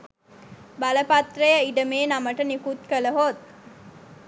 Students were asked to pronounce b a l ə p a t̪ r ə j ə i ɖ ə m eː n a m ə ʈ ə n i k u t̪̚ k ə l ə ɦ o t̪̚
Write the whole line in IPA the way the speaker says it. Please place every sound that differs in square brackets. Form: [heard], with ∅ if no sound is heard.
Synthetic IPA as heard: b a l ə p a t̪ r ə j ə i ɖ ə m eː n a m ə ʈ ə n i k u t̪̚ k ə l ə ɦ o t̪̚